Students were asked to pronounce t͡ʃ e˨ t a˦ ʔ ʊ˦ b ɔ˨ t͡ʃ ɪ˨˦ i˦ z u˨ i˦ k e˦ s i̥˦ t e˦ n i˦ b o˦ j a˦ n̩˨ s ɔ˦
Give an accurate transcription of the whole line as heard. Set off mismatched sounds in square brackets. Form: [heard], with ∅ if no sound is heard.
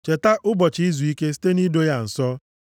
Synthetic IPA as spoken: t͡ʃ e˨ t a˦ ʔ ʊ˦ b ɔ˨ t͡ʃ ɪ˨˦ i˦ z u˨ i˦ k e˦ s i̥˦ t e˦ n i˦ [d] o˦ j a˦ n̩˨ s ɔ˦